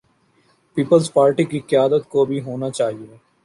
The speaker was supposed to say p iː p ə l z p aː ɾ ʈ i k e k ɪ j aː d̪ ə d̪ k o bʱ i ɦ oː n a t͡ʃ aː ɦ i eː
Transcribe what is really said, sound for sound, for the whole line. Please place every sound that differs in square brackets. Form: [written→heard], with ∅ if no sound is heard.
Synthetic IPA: p iː p ə l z p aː ɾ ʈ i k [e→i] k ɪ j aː d̪ ə [d̪→t̪] k o bʱ i ɦ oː n a t͡ʃ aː ɦ i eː